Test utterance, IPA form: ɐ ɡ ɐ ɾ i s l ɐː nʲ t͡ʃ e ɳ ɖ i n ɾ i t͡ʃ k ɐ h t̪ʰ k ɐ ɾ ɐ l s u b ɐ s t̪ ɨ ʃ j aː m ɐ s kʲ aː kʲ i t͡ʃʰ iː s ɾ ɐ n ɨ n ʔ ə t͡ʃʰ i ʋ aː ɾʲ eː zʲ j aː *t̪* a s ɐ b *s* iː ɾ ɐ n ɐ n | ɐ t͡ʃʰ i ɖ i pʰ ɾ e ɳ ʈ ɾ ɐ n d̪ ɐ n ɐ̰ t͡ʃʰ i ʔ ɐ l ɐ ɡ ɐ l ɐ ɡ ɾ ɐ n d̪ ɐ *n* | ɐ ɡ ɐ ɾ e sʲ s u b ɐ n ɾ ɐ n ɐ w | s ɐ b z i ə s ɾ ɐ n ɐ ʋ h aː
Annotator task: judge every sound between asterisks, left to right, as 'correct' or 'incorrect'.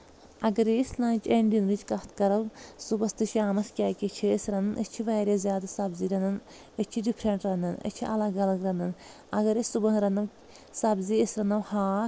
incorrect, incorrect, correct

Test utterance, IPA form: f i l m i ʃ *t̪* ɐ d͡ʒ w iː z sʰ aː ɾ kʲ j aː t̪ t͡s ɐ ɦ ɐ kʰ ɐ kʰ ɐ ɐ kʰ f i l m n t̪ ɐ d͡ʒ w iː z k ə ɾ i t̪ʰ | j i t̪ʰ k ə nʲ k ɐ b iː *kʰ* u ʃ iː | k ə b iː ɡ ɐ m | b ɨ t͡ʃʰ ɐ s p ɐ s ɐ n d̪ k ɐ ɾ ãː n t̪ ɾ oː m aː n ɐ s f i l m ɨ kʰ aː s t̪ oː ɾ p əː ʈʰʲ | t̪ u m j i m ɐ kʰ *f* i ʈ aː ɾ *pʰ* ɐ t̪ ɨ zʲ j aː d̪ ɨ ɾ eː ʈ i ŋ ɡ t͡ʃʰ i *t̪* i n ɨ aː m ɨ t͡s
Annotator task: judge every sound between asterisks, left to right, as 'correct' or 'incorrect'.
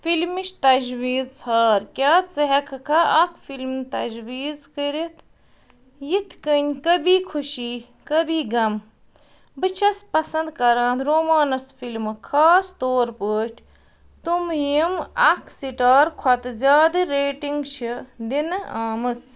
correct, correct, incorrect, incorrect, incorrect

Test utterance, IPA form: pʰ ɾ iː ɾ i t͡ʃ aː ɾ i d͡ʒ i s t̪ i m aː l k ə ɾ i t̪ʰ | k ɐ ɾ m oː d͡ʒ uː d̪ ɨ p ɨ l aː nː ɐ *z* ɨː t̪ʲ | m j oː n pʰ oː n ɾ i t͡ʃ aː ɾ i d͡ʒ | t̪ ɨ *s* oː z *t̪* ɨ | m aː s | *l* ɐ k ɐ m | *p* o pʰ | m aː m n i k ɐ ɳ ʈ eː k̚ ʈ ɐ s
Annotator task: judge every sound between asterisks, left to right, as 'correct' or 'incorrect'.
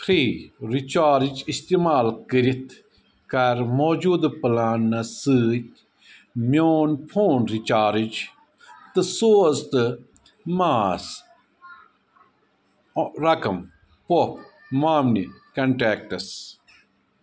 incorrect, correct, correct, incorrect, correct

